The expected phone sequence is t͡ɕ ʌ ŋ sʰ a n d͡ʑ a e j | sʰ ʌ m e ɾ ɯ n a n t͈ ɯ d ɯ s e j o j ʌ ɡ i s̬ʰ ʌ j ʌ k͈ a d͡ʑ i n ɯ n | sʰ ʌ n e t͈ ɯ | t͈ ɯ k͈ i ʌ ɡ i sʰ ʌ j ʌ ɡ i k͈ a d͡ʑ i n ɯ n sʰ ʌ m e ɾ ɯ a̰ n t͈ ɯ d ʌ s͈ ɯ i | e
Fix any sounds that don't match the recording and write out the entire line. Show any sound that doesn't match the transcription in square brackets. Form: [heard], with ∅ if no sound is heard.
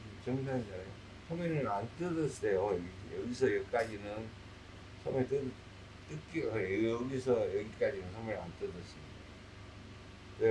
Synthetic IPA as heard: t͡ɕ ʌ ŋ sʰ a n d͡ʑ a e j | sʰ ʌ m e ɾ ɯ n a n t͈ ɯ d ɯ s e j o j ʌ ɡ i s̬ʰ ʌ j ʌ k͈ a d͡ʑ i n ɯ n | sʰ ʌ [m] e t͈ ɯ | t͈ ɯ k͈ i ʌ ɡ i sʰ ʌ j ʌ ɡ i k͈ a d͡ʑ i n ɯ n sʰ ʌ m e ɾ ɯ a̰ n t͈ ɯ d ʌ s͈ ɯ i | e